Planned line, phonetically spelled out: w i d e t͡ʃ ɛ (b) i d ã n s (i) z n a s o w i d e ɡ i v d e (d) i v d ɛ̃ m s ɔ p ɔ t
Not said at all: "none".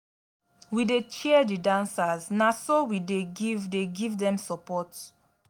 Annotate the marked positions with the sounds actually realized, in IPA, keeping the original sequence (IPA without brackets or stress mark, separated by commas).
d, a, ɡ